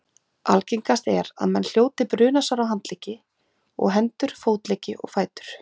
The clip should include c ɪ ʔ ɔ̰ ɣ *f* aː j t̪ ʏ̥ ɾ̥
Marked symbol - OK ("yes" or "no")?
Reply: yes